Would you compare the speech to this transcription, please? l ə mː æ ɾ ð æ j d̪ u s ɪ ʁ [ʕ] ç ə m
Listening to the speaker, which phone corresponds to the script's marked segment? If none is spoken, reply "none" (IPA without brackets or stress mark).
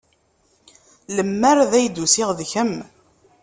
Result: ð